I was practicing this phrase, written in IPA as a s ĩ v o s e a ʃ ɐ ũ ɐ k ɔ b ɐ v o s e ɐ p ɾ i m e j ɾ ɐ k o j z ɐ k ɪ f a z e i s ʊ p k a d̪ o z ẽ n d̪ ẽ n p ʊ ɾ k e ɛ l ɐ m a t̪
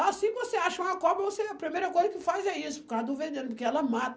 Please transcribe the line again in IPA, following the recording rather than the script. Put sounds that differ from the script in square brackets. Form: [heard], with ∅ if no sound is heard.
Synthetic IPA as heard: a s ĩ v o s e a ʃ ɐ ũ ɐ k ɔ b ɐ v o s e ɐ p ɾ i m e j ɾ ɐ k o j z ɐ k ɪ f a z [ɛ] i s ʊ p k a d̪ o [v] ẽ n d̪ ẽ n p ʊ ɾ k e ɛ l ɐ m a t̪